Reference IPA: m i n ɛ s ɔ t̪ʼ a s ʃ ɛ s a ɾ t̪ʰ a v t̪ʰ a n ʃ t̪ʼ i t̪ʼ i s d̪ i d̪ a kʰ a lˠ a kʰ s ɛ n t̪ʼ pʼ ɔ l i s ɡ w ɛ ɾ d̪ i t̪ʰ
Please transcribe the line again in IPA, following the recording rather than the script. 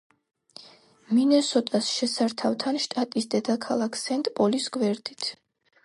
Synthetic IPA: m i n ɛ s ɔ t̪ʼ a s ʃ ɛ s a ɾ t̪ʰ a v t̪ʰ a n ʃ t̪ʼ a t̪ʼ i s d̪ ɛ d̪ a kʰ a lˠ a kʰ s ɛ n t̪ʼ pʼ ɔ l i s ɡ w ɛ ɾ d̪ i t̪ʰ